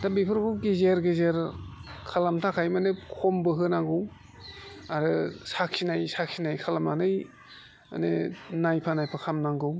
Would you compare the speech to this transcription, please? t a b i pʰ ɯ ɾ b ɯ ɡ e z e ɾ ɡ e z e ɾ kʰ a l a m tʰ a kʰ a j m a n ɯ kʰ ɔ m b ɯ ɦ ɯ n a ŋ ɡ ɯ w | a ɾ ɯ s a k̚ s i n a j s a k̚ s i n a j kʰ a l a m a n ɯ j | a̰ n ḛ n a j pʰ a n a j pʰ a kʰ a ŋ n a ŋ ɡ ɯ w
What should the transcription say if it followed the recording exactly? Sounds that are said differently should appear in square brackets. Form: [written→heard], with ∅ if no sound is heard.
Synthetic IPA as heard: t a b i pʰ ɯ ɾ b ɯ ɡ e z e ɾ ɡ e z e ɾ kʰ a l a m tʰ a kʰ a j m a n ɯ kʰ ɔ m b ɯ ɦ ɯ n a ŋ ɡ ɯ w | a ɾ ɯ s a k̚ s i n a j s a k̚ s i n a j kʰ a l a m a n ɯ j | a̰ n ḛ n a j pʰ a n a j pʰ a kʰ a [ŋ→m] n a ŋ ɡ ɯ w